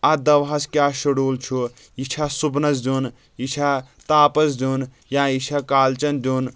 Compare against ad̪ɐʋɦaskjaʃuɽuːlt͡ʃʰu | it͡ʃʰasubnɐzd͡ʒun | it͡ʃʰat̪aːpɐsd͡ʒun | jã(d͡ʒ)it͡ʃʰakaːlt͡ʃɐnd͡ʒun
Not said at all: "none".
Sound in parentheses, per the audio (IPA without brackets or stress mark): none